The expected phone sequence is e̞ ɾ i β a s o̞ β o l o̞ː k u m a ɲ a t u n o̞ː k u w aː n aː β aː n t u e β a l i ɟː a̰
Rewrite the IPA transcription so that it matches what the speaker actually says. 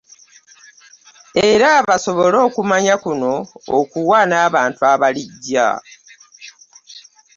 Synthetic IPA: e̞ ɾ a β a s o̞ β o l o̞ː k u m a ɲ a k u n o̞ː k u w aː n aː β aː n t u a β a l i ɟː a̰

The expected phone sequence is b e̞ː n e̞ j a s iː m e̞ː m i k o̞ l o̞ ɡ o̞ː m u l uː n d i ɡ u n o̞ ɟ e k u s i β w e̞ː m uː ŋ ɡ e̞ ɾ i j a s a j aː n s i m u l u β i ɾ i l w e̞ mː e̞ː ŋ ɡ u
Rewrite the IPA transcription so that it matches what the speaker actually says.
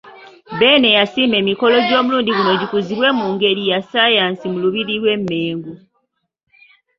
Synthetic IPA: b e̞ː n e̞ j a s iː m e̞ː m i k o̞ l o̞ ɟ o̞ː m u l uː n d i ɡ u n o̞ ɟ i k u z i β w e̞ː m uː ŋ ɡ e̞ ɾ i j a s a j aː n s i m u l u β i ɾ i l w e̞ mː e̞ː ŋ ɡ u

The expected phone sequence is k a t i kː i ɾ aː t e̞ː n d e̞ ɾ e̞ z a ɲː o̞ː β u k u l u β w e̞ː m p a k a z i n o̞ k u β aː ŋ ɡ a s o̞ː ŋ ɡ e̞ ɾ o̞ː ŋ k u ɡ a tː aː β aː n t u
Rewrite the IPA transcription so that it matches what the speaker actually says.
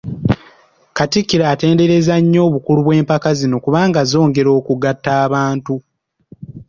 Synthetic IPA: k a t i kː i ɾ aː t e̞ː n d e̞ ɾ e̞ z a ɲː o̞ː β u k u l u β w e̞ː m p a k a z i n o̞ k u β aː ŋ ɡ a z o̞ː ŋ ɡ e̞ ɾ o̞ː k u ɡ a tː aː β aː n t u

